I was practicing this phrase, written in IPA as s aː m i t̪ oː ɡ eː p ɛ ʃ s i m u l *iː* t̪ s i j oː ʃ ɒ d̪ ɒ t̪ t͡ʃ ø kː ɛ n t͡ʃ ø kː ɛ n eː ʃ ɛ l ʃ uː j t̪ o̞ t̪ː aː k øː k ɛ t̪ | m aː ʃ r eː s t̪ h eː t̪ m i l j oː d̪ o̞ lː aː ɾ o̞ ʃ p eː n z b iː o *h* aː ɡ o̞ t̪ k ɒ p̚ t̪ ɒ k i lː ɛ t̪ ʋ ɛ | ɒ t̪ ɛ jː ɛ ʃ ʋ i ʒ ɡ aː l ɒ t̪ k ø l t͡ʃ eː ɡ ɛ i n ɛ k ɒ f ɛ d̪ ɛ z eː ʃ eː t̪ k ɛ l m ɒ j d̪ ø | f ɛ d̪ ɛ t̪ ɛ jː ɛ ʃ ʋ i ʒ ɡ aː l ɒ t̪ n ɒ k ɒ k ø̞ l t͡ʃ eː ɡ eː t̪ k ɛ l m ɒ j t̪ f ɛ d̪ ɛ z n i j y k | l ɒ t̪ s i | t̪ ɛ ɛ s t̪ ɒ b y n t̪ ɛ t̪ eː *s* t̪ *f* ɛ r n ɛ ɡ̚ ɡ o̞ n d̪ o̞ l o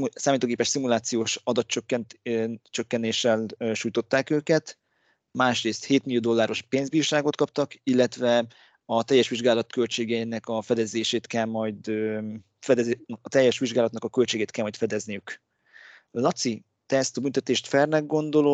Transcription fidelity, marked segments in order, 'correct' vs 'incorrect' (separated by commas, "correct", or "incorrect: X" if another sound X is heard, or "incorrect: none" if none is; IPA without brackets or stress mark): incorrect: aː, incorrect: ʃ, incorrect: ʃ, correct